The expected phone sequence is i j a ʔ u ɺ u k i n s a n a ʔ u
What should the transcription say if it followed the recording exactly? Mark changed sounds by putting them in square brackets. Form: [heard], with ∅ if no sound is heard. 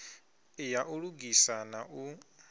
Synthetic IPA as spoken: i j a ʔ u ɺ u [ɡ] i [∅] s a n a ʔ u

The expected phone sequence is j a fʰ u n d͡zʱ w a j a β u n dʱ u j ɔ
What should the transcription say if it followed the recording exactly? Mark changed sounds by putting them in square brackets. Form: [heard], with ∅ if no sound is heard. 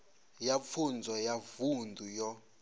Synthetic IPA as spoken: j a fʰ u n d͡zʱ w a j a [v] u n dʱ u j ɔ

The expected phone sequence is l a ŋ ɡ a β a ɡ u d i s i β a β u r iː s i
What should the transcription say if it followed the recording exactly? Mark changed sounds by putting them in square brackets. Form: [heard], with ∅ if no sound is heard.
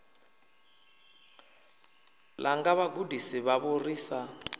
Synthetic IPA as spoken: l a ŋ ɡ a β a ɡ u d i s i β a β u r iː s [a]

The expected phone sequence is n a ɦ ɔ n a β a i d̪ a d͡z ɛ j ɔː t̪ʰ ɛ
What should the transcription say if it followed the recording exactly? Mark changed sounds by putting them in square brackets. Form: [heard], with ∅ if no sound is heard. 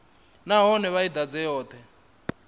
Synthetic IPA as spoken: n a ɦ ɔ n [ɛ] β a i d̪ a d͡z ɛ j ɔː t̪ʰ ɛ

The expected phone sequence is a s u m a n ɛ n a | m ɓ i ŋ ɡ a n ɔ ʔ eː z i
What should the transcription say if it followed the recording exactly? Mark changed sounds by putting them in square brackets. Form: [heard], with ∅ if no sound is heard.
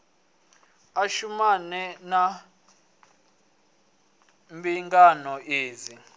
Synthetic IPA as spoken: a [ʃ] u m a n ɛ n a | m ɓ i ŋ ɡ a n ɔ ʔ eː z i

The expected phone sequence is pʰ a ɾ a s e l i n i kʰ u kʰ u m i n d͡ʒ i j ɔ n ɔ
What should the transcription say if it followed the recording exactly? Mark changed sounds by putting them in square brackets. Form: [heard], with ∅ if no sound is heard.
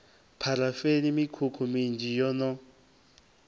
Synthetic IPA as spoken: pʰ a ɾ a [f] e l i [m] i kʰ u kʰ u m i n d͡ʒ i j ɔ n ɔ

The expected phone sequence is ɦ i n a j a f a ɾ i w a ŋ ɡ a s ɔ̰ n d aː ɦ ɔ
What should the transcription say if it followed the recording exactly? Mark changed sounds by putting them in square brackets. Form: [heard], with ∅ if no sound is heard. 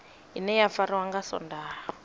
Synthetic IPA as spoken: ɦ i n [ɛ] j a f a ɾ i w a ŋ ɡ a s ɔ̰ n d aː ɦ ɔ

